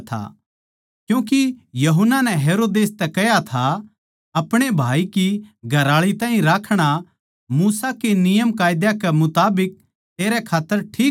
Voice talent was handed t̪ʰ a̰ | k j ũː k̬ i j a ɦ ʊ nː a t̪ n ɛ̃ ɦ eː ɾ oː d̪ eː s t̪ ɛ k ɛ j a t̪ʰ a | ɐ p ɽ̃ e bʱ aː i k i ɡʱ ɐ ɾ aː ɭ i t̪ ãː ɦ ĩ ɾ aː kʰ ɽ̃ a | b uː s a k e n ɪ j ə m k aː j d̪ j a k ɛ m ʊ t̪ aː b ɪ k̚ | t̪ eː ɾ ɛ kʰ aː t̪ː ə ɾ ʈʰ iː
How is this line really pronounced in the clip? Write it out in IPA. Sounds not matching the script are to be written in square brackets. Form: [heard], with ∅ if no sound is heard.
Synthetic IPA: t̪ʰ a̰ | k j ũː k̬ i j [ɐ] ɦ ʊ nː a [∅] n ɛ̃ ɦ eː ɾ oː d̪ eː s t̪ ɛ k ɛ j a t̪ʰ a | ɐ p ɽ̃ e bʱ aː i k i ɡʱ ɐ ɾ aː ɭ i t̪ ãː ɦ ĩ ɾ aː kʰ ɽ̃ a | [m] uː s a k e n ɪ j ə m k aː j d̪ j a k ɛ m ʊ t̪ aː b ɪ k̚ | t̪ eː ɾ ɛ kʰ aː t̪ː ə ɾ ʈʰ iː